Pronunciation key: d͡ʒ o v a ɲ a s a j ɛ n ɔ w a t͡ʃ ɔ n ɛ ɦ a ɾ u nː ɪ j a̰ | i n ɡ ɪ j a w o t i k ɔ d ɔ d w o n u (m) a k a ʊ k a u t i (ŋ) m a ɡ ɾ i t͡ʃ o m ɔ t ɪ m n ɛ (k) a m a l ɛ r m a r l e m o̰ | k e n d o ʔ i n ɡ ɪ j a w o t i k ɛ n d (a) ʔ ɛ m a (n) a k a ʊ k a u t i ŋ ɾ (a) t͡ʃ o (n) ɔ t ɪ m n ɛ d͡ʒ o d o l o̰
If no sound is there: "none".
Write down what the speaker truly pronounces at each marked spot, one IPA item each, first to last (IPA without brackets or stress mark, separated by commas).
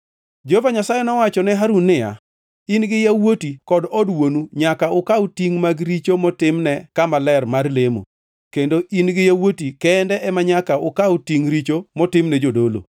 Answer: ɲ, ŋ, k, ɛ, ɲ, i, m